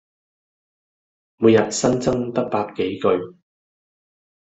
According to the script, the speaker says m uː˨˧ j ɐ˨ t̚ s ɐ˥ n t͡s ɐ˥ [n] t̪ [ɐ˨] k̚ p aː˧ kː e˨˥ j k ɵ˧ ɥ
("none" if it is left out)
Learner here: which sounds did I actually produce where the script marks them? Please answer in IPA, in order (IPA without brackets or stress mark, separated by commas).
ŋ, ɐ˥